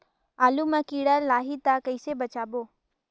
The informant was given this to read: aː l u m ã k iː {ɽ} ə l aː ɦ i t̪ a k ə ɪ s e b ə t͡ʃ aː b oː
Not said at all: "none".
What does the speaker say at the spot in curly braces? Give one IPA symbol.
ɽ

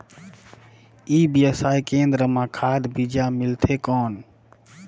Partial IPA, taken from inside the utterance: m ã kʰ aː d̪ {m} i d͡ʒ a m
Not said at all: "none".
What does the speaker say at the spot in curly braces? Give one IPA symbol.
b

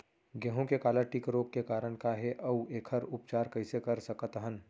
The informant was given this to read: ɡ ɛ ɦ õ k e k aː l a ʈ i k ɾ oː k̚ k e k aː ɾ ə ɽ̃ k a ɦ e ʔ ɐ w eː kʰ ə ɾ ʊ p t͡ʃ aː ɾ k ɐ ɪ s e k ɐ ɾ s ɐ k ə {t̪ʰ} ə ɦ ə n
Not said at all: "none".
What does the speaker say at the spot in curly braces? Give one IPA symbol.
t̪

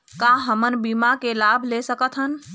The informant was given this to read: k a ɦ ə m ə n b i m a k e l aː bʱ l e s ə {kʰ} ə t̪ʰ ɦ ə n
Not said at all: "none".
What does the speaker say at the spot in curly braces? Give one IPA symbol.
k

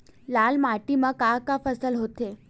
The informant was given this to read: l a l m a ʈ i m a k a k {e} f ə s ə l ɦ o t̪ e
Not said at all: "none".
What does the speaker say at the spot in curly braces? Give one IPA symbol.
a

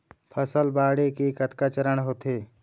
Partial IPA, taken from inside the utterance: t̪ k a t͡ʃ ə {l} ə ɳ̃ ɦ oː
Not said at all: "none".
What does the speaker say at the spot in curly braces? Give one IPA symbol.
ɾ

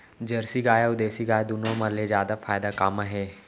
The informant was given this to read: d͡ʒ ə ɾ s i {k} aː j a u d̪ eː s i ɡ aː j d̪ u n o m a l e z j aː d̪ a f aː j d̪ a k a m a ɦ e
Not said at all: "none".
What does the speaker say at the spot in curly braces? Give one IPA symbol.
ɡ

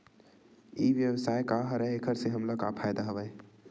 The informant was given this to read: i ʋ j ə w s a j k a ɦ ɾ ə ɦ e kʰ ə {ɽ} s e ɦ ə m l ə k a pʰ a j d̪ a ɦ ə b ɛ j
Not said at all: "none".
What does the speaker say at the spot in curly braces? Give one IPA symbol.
ɾ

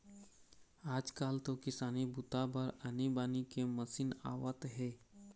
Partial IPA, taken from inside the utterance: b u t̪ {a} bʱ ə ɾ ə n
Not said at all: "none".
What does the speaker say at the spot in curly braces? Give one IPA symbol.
a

